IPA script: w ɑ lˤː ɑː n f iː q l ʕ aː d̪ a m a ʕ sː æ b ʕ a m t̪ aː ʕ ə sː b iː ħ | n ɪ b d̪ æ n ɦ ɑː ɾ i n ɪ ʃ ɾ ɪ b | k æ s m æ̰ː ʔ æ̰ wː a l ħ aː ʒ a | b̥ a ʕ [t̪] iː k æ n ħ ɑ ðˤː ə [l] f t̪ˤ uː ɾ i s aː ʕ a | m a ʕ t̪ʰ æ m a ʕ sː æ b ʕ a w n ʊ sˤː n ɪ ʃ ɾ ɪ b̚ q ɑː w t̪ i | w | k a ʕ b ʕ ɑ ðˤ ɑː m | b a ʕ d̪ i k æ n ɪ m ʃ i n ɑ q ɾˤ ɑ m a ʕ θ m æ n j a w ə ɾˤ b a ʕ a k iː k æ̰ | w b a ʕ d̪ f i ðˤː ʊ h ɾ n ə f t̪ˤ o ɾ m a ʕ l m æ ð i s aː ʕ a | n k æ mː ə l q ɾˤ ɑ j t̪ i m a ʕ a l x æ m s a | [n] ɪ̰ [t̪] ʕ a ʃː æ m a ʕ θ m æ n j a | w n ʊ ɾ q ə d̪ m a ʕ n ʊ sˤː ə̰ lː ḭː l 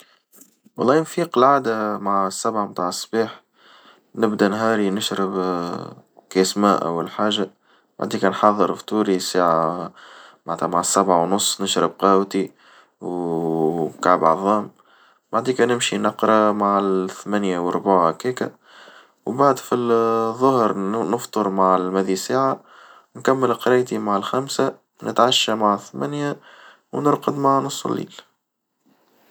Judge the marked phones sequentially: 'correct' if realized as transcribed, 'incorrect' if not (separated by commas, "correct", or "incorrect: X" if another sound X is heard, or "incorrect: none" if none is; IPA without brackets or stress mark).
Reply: incorrect: d̪, incorrect: ɾ, correct, correct